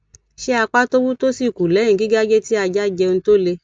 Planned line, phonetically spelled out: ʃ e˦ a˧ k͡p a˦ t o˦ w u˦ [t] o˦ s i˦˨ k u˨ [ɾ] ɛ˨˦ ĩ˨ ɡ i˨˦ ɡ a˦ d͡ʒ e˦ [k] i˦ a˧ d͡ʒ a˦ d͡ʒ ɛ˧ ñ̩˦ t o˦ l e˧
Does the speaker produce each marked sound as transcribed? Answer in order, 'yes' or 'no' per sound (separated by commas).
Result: yes, no, no